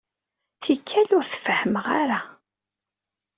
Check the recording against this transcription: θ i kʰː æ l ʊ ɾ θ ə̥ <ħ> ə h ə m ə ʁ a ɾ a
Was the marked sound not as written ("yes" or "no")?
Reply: yes